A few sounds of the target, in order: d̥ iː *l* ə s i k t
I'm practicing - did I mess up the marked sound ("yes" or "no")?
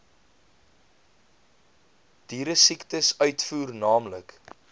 yes